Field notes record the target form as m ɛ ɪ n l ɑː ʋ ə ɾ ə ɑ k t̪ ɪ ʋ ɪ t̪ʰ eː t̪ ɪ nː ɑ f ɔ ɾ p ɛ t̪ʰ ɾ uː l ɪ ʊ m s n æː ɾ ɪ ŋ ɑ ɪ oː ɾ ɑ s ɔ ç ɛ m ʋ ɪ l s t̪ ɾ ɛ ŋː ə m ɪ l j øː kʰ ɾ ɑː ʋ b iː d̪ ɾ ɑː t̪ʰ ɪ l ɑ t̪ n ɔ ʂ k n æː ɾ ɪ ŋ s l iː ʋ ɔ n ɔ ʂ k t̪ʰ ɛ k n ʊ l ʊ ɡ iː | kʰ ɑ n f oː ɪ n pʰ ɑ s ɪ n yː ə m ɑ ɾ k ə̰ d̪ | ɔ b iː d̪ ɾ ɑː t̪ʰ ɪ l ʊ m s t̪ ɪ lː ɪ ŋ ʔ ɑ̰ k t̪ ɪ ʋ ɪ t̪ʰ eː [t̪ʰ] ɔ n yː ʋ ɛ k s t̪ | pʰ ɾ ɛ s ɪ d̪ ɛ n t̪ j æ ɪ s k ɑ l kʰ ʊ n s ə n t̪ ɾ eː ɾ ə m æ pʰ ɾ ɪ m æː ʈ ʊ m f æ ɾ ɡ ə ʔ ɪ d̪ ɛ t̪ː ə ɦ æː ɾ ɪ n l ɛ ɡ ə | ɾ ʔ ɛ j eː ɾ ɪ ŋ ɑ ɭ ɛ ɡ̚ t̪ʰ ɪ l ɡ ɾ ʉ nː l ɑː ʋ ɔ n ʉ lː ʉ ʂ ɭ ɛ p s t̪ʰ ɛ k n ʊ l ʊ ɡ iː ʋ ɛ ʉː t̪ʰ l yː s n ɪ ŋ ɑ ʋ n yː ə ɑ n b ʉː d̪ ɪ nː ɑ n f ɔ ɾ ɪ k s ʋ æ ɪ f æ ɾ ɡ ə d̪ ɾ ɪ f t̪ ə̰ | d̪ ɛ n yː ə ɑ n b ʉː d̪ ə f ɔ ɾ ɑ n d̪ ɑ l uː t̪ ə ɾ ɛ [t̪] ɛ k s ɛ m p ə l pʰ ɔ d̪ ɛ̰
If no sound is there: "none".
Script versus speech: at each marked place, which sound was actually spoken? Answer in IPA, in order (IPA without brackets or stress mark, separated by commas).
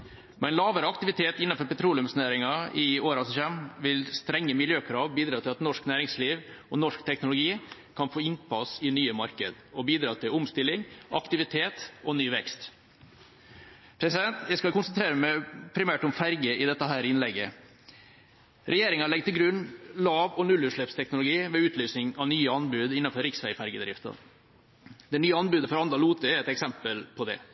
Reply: t̪, t̪